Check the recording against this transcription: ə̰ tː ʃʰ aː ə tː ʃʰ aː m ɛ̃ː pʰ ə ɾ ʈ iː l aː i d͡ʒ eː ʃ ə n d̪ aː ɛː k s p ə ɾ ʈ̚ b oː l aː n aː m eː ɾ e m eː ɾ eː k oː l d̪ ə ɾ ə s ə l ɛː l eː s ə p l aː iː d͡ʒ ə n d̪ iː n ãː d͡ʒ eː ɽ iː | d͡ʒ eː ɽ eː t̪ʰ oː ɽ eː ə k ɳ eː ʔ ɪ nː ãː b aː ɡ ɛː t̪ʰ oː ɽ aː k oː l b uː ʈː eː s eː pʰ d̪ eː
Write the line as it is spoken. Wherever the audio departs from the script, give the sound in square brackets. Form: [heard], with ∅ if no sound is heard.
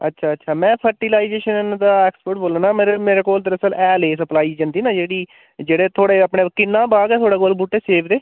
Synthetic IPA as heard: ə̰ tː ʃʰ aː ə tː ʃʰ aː m ɛ̃ː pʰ ə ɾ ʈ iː l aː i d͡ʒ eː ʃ ə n d̪ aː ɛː k s p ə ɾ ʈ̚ b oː l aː n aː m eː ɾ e m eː ɾ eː k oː l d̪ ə ɾ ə s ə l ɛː l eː s ə p l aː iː d͡ʒ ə n d̪ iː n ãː d͡ʒ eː ɽ iː | d͡ʒ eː ɽ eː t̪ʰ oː ɽ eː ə [p] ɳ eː [k] ɪ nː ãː b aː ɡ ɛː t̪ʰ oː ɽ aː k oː l b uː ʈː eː s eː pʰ d̪ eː